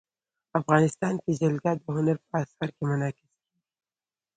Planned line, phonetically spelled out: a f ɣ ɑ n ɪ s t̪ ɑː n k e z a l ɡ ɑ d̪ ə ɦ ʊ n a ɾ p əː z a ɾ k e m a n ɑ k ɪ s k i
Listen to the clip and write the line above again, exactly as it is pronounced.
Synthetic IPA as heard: a f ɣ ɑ n ɪ s t̪ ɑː n k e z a l ɡ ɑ d̪ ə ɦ ʊ n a ɾ p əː s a ɾ k e m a n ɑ k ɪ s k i